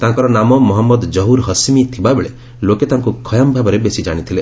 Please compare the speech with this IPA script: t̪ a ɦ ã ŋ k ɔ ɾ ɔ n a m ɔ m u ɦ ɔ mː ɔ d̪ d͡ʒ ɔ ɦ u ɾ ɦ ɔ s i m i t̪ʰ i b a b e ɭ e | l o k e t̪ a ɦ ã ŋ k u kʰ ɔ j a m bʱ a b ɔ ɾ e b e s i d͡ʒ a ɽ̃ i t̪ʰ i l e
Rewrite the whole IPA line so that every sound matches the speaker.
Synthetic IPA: t̪ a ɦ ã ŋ k ɔ ɾ ɔ n a m ɔ m ɔ ɦ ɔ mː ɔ d̪ d͡ʒ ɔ ɦ u ɾ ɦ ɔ s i m i t̪ʰ i b a b e ɭ e | l o k e t̪ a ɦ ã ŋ k u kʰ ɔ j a m bʱ a b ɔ ɾ e b e s i d͡ʒ a ɽ̃ i t̪ʰ i l e